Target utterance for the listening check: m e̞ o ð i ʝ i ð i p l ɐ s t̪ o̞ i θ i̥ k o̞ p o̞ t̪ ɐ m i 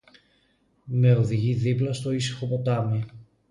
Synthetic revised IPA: m e̞ o ð i ʝ i ð i p l ɐ s t̪ o̞ i s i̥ x o̞ p o̞ t̪ ɐ m i